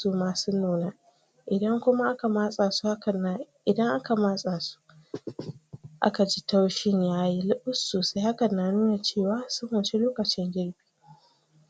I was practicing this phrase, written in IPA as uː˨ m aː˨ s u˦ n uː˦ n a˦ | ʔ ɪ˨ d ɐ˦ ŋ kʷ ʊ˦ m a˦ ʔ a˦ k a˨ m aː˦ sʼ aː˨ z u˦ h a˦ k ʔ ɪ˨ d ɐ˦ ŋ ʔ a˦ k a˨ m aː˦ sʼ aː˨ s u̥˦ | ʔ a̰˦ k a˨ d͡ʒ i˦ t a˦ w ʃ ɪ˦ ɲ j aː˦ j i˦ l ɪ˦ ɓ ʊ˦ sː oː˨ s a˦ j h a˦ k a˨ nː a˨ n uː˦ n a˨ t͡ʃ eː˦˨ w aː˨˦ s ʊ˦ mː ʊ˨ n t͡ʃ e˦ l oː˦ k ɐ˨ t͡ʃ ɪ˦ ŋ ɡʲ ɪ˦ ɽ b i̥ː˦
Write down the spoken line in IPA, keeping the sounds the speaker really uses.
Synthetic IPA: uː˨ m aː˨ s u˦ n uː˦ n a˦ | ʔ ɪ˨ d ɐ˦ ŋ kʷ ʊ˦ m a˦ ʔ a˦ k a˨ m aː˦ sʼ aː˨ s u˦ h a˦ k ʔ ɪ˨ d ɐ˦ ŋ ʔ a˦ k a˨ m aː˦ sʼ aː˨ s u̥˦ | ʔ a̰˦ k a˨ d͡ʒ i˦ t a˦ w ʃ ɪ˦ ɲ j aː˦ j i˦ l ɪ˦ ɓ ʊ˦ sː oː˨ s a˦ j h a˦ k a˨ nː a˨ n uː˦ n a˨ t͡ʃ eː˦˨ w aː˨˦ s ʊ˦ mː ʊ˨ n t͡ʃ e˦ l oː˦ k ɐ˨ t͡ʃ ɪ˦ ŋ ɡʲ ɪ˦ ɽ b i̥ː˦